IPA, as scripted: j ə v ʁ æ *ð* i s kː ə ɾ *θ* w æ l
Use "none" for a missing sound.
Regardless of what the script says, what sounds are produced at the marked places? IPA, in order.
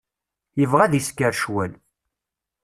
ð, ʃ

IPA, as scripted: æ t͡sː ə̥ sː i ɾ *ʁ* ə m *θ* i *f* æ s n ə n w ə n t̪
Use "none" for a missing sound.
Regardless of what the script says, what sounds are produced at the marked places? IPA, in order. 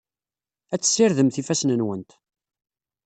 ð, θ, f

